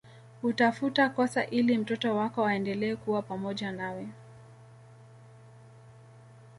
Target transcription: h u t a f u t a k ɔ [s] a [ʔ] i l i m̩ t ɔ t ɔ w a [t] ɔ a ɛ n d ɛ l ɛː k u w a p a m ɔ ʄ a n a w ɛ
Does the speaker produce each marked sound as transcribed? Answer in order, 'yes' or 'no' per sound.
yes, yes, no

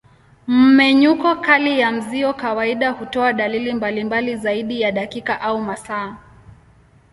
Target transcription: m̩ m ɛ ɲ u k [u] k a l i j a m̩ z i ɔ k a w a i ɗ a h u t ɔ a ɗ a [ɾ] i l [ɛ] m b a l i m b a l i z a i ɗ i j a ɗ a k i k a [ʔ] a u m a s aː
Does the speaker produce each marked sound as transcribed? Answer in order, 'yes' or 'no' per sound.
no, no, no, yes

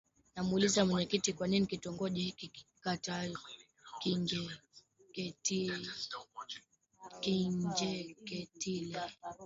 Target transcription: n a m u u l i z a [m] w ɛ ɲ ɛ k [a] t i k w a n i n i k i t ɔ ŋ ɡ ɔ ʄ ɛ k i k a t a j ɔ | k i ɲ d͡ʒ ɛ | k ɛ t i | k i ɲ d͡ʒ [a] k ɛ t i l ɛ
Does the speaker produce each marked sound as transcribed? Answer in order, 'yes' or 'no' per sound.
yes, no, no

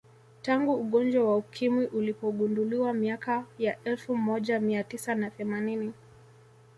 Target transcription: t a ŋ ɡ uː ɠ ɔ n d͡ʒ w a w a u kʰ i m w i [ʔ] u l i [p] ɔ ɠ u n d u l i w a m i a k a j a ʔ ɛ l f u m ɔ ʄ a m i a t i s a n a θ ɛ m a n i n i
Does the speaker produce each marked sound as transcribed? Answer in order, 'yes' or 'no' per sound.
yes, yes

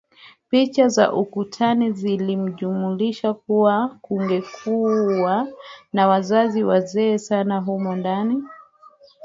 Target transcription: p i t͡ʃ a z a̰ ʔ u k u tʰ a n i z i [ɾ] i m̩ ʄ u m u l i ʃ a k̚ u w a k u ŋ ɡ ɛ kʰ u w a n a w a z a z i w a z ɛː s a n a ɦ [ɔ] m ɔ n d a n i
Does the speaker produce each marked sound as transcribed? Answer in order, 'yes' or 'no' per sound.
no, no

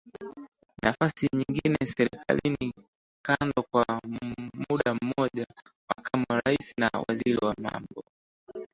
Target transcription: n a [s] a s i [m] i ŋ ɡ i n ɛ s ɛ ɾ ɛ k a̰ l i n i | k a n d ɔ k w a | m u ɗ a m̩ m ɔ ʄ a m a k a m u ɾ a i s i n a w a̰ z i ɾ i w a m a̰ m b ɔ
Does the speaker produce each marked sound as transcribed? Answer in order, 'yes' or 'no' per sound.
no, no

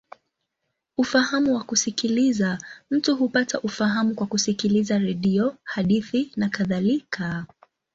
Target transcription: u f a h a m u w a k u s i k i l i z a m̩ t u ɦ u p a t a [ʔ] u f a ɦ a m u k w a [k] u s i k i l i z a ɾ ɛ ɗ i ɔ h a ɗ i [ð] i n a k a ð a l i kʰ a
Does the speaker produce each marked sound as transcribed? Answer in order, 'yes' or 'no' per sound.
yes, yes, no

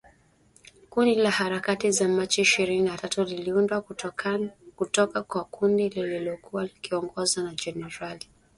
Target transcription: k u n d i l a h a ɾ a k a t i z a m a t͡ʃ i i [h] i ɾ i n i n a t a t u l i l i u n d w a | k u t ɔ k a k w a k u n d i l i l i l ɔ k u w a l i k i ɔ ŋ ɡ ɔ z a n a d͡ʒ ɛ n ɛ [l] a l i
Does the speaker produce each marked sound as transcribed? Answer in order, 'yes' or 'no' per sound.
no, no

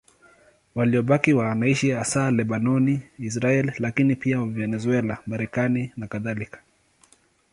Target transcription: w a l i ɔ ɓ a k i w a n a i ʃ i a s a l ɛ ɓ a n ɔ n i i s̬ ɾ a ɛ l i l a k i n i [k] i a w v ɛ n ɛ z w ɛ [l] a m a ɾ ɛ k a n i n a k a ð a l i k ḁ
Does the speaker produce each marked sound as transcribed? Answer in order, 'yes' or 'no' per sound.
no, yes

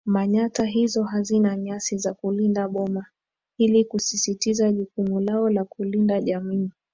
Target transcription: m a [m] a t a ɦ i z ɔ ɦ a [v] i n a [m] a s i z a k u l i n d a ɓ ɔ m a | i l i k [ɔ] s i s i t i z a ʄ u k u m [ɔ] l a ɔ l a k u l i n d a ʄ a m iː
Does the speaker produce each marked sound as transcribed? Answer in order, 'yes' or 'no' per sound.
no, no, no, no, no

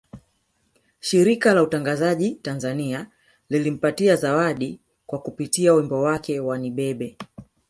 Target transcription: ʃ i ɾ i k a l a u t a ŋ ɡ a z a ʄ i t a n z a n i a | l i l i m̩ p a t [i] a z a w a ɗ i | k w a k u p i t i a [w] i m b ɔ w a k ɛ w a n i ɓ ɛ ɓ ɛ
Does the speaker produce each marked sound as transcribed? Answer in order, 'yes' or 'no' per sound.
yes, yes

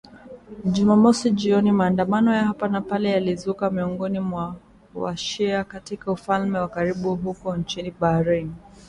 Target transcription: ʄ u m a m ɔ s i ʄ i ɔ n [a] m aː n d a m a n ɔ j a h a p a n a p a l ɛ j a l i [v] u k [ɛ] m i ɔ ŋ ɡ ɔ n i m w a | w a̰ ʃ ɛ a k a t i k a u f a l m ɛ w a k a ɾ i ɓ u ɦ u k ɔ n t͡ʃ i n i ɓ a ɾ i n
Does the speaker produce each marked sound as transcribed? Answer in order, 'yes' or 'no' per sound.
no, no, no

